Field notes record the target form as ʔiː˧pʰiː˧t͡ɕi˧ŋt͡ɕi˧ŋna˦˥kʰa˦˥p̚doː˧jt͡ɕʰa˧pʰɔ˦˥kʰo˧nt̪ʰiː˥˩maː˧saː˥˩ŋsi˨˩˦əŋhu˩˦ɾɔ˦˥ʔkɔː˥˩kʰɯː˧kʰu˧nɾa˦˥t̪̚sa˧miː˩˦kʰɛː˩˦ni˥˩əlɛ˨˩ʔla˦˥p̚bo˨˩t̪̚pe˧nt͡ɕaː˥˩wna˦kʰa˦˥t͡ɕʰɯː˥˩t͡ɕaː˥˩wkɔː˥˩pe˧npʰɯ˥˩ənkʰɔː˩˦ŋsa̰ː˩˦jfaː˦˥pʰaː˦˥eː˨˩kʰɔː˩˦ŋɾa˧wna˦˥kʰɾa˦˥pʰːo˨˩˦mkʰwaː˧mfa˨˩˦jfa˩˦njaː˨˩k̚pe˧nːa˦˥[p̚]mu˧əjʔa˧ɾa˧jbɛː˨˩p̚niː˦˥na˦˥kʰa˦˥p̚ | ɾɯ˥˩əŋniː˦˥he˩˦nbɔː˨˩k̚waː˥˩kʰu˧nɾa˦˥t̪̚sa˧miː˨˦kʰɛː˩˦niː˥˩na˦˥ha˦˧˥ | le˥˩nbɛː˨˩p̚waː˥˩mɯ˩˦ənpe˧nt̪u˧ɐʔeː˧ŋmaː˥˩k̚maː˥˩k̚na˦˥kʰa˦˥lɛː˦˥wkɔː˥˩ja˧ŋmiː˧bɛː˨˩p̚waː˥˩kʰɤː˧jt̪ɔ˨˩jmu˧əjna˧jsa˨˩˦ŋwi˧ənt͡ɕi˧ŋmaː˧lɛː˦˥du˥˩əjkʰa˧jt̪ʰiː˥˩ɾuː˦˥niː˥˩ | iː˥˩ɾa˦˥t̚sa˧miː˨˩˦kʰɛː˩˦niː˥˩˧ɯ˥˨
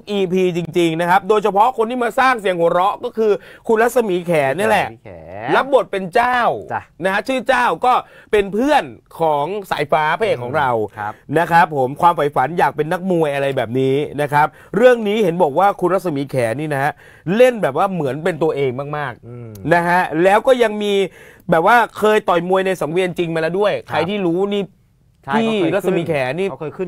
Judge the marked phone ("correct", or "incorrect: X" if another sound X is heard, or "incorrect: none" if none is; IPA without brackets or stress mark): incorrect: k̚